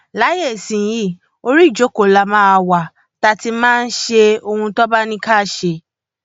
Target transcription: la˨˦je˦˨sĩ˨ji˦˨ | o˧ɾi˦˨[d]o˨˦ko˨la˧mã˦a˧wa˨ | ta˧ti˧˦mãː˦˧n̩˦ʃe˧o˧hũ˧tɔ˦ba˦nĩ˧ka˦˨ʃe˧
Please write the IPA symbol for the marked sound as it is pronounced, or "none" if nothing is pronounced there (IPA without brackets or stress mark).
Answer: d͡ʒ